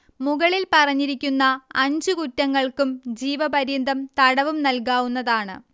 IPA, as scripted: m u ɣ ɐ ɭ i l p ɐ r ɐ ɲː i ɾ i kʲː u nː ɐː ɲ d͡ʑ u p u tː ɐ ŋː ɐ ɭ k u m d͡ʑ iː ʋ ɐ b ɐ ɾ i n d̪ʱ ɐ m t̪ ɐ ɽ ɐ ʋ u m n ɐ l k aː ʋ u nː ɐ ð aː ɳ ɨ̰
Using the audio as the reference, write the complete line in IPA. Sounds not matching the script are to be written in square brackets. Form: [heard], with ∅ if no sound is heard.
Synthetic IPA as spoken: m u ɣ ɐ ɭ i l p ɐ r ɐ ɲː i ɾ i kʲː u nː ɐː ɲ d͡ʑ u [k] u tː ɐ ŋː ɐ ɭ k u m d͡ʑ iː ʋ ɐ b ɐ ɾ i n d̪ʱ ɐ m t̪ ɐ ɽ ɐ ʋ u m n ɐ l k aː ʋ u nː ɐ ð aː ɳ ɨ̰

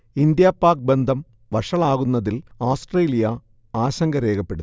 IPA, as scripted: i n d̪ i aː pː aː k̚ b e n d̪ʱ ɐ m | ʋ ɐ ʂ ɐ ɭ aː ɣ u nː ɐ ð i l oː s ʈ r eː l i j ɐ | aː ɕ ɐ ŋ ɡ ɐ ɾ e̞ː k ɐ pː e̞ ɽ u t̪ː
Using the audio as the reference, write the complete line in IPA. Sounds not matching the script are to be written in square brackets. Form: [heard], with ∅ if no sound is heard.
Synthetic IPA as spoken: i n d̪ [j] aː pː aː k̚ b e n d̪ʱ ɐ m | ʋ ɐ ʂ ɐ ɭ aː ɣ u nː ɐ ð i l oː s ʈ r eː l i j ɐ | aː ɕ ɐ ŋ ɡ ɐ ɾ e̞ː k ɐ pː e̞ ɽ u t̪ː

